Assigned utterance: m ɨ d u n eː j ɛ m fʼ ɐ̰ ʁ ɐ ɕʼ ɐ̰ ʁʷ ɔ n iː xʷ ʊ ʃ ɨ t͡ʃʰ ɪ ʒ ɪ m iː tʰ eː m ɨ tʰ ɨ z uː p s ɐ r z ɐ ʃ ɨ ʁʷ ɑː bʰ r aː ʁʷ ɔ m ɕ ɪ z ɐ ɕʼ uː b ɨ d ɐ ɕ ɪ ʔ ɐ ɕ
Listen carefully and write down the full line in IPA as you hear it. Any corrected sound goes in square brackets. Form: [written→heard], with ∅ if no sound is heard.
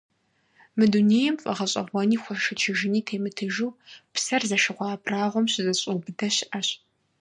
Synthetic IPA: m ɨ d u n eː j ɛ m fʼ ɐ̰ ʁ ɐ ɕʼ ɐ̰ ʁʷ ɔ n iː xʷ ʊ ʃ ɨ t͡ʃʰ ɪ ʒ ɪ [m→n] iː tʰ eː m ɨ tʰ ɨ [z→ʒ] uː p s ɐ r z ɐ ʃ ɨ ʁʷ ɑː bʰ r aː ʁʷ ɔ m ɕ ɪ z ɐ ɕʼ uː b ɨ d ɐ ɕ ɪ ʔ ɐ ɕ

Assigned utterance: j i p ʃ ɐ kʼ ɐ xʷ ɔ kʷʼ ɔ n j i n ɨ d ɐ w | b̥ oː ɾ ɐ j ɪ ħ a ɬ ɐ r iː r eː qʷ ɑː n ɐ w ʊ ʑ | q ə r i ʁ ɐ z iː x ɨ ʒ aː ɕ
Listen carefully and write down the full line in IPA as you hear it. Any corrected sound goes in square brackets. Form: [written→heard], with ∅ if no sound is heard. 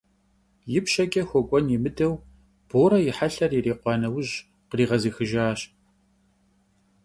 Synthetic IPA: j [i→ɪ] p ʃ ɐ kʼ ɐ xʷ ɔ kʷʼ ɔ n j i [n→m] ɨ d ɐ w | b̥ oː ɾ ɐ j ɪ ħ a ɬ ɐ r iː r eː qʷ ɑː n ɐ w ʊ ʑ | q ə r [i→iː] ʁ ɐ z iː x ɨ ʒ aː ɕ

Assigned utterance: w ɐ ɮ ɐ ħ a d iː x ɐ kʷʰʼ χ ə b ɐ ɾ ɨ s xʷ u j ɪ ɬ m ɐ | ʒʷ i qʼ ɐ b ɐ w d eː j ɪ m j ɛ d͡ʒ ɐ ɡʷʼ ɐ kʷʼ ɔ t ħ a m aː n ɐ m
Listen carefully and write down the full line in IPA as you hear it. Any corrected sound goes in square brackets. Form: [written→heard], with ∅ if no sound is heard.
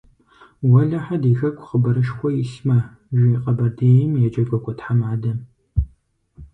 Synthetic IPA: w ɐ ɮ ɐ ħ a d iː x ɐ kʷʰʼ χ ə b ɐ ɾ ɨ [s→ʃ] xʷ [u→ɔ] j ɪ ɬ m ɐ | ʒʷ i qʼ ɐ b ɐ [w→∅] d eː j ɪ m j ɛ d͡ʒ ɐ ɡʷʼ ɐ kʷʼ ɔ t ħ a m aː [n→d] ɐ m

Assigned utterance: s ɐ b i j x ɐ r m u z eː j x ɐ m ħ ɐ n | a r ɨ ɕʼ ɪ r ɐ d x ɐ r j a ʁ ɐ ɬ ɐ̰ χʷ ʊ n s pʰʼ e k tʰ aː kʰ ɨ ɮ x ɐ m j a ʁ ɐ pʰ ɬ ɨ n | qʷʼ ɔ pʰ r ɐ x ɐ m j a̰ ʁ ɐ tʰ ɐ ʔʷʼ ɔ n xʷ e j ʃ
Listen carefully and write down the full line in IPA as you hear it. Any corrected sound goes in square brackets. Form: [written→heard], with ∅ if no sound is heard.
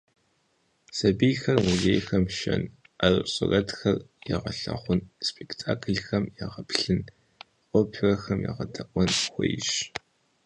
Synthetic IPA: s ɐ b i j x ɐ r m u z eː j x ɐ m [ħ→ʃ] ɐ n | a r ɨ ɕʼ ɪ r ɐ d x ɐ r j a ʁ ɐ ɬ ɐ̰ χʷ ʊ n s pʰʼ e k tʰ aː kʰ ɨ ɮ x ɐ m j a ʁ ɐ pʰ ɬ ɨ n | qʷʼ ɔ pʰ r ɐ x ɐ m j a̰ ʁ ɐ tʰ ɐ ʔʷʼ ɔ n xʷ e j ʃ

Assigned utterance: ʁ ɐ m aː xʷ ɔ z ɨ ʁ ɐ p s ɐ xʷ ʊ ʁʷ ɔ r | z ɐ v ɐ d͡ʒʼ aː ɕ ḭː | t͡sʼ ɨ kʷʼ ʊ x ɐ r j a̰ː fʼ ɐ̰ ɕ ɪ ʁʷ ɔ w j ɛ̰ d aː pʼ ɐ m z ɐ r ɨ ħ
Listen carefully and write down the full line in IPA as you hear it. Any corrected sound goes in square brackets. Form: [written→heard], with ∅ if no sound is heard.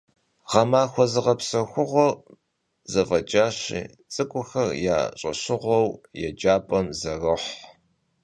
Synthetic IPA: ʁ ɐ m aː xʷ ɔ z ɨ ʁ ɐ p s ɐ xʷ ʊ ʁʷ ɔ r | z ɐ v ɐ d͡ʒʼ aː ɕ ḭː | t͡sʼ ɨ kʷʼ ʊ x ɐ r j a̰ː [fʼ→ɕʼ] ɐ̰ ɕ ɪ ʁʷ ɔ w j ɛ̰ [d→d͡ʒ] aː pʼ ɐ m z ɐ r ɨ ħ

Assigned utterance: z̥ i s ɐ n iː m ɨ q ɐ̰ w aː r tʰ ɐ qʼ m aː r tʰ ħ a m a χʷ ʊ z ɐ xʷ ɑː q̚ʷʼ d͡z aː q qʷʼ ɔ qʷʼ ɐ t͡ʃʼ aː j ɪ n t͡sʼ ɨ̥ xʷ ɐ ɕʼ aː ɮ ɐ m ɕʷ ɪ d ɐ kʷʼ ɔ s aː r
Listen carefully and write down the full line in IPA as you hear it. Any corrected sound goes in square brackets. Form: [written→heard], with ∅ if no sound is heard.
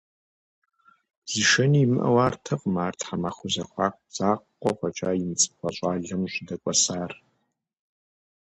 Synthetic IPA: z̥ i [s→ʃ] ɐ n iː m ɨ [q→ʔ] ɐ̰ w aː r tʰ ɐ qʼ m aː r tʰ ħ a m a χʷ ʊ z ɐ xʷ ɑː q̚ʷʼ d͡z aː q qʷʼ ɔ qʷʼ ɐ t͡ʃʼ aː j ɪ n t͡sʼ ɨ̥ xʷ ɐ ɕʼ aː ɮ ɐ m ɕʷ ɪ d ɐ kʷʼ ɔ s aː r

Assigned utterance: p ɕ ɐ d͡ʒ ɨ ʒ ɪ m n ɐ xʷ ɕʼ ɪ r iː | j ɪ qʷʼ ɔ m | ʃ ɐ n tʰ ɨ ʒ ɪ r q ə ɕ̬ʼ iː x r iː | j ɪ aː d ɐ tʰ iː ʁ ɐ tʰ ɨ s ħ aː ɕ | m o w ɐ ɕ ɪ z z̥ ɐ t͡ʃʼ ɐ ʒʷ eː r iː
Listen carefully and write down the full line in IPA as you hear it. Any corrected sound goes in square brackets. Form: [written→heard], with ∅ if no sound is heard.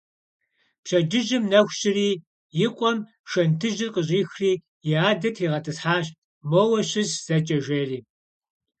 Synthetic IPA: p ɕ ɐ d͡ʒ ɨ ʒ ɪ m n ɐ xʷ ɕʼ ɪ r iː | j ɪ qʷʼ ɔ m | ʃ ɐ n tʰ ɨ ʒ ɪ r q ə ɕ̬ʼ iː x r iː | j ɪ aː d ɐ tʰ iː ʁ ɐ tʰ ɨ s ħ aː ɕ | m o w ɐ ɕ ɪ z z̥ ɐ t͡ʃʼ ɐ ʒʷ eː r iː

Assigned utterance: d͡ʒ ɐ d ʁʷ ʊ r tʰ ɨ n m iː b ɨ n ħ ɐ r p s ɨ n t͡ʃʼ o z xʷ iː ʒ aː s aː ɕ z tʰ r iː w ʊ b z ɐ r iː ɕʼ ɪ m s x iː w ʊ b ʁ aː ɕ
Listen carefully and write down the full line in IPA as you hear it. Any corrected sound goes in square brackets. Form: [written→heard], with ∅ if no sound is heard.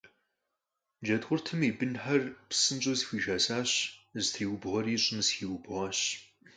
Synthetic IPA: d͡ʒ ɐ d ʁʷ ʊ r tʰ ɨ [n→∅] m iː b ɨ n ħ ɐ r p s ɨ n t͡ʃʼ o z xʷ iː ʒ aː s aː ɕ z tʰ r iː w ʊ b [z→ʁ] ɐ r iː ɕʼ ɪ m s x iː w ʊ b ʁ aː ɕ

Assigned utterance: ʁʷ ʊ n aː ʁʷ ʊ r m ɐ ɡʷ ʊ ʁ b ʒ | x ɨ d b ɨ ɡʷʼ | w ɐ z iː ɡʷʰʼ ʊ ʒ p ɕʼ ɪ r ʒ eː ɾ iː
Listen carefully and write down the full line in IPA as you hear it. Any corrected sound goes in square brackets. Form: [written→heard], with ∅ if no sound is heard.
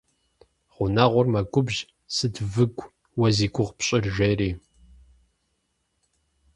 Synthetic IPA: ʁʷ ʊ n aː ʁʷ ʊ r m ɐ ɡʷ ʊ [ʁ→∅] b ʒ | [x→s] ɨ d [b→v] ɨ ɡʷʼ | w ɐ z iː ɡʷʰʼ ʊ [ʒ→ʁ] p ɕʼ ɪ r ʒ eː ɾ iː

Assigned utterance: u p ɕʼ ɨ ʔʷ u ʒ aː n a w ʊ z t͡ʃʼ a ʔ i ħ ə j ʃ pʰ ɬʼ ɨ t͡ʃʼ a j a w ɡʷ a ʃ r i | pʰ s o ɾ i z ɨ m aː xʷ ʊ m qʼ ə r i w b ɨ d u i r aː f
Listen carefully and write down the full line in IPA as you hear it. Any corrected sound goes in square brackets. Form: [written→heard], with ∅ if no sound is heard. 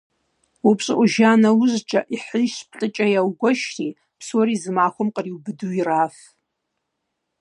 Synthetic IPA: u p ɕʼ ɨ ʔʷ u ʒ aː n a w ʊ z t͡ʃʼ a ʔ i ħ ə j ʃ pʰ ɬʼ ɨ t͡ʃʼ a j a w ɡʷ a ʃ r i | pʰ s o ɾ i z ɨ m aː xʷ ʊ m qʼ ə r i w b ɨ d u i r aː f

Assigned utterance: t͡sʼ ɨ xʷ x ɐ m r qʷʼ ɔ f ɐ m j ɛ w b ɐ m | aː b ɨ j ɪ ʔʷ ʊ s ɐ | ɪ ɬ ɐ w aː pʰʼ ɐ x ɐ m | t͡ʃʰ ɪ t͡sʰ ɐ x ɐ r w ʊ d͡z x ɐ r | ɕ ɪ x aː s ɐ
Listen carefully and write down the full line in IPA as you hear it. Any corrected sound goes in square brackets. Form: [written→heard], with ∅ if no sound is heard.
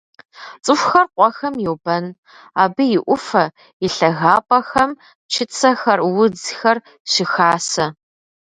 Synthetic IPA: t͡sʼ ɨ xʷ x ɐ [m→∅] r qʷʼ ɔ [f→x] ɐ m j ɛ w b ɐ [m→n] | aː b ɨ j ɪ ʔʷ ʊ [s→f] ɐ | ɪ ɬ ɐ [w→ɣ] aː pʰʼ ɐ x ɐ m | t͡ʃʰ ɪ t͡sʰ ɐ x ɐ r w ʊ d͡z x ɐ r | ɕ ɪ x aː s ɐ

